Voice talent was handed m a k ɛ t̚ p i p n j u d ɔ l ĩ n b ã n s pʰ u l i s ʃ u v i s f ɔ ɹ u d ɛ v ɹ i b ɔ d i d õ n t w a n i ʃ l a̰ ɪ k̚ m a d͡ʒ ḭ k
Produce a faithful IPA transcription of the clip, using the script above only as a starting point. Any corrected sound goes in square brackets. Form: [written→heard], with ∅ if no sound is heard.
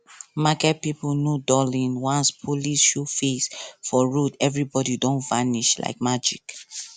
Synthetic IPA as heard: m a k ɛ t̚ p i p n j u d ɔ l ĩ n [b→w] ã n s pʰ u l i s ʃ u [v→f] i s f ɔ ɹ u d ɛ v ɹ i b ɔ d i d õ n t [w→v] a n i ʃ l a̰ ɪ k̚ m a d͡ʒ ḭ k